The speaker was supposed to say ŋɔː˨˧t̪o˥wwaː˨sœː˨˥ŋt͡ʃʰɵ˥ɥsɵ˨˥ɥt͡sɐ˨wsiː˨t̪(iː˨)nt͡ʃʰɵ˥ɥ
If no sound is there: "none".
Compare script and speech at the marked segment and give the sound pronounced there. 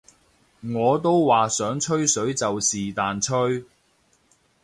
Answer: aː˨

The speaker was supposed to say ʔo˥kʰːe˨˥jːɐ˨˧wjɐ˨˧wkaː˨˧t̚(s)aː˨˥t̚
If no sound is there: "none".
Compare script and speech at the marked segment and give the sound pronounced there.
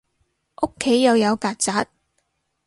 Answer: t͡s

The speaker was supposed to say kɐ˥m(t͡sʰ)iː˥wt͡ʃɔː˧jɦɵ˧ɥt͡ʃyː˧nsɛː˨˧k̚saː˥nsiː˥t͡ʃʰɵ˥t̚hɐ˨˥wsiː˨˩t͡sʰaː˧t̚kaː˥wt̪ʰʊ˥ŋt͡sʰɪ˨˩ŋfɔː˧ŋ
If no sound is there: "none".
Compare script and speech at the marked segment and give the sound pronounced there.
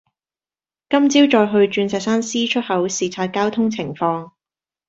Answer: t͡s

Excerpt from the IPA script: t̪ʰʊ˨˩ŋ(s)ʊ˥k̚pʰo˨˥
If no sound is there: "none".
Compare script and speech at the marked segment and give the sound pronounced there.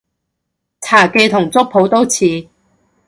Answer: t͡s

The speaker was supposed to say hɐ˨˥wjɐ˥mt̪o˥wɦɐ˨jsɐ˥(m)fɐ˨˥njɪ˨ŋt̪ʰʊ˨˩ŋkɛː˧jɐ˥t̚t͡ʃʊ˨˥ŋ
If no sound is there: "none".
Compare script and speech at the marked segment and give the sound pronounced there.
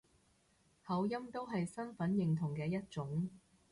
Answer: n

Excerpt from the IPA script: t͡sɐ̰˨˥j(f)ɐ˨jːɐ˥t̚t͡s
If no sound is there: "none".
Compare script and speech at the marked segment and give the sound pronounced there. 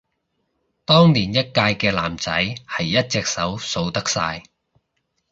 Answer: h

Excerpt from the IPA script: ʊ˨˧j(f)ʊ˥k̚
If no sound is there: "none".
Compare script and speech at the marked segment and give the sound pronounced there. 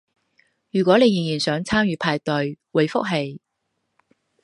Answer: f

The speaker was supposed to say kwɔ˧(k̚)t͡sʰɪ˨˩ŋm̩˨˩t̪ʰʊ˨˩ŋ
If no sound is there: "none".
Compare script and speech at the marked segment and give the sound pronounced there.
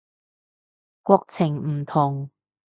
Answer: k̚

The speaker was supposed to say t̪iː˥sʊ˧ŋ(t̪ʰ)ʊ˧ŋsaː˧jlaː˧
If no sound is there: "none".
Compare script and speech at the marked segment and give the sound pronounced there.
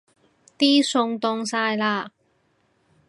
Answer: t̪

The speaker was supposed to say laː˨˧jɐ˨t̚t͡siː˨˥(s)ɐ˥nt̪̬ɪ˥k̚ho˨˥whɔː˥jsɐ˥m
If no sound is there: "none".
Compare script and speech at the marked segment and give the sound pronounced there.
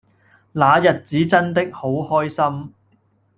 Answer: t͡s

